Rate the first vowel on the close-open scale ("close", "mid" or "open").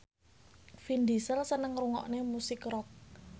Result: close